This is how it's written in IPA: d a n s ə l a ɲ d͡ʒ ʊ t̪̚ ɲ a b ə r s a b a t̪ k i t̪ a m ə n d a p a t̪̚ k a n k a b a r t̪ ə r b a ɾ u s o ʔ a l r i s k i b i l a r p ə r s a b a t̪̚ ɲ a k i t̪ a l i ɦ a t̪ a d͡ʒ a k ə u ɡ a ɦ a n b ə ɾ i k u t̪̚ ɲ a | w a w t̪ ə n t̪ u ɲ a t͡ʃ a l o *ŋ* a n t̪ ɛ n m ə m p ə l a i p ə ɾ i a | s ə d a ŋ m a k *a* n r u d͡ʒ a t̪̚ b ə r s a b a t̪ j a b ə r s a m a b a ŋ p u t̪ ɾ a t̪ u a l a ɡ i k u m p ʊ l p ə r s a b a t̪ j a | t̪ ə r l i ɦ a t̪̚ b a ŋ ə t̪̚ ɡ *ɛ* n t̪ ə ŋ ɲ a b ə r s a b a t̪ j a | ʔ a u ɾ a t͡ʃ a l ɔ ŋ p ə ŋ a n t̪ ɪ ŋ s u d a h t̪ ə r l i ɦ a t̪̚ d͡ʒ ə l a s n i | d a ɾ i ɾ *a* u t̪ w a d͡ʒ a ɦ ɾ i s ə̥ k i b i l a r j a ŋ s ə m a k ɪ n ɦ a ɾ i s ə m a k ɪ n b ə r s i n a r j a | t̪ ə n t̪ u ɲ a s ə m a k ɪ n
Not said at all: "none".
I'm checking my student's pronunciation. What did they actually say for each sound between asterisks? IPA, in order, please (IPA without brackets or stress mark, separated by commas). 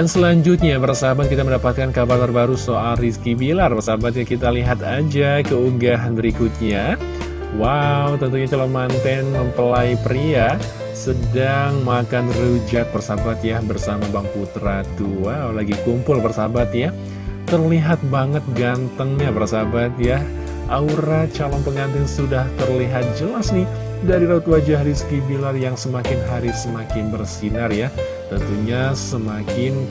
m, a, a, a